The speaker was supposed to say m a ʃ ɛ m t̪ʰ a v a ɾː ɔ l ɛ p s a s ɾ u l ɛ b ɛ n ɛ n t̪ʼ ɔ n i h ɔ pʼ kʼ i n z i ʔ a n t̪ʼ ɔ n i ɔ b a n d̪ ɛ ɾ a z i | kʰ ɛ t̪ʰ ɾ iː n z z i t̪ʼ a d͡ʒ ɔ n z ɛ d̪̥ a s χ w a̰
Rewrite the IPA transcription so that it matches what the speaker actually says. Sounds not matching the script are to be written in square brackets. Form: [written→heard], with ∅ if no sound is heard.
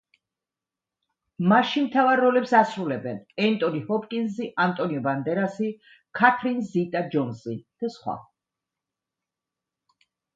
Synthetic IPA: m a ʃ [ɛ→i] m t̪ʰ a v a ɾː ɔ l ɛ p s a s ɾ u l ɛ b ɛ n ɛ n t̪ʼ ɔ n i h ɔ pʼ kʼ i n z i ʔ a n t̪ʼ ɔ n i ɔ b a n d̪ ɛ ɾ a [z→s] i | kʰ [ɛ→a] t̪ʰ ɾ [iː→i] n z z i t̪ʼ a d͡ʒ ɔ n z [ɛ→i] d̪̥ a s χ w a̰